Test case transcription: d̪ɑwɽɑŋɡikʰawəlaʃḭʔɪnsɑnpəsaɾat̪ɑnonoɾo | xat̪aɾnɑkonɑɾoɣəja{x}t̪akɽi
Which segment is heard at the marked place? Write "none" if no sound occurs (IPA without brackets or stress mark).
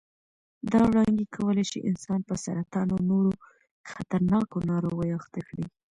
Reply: x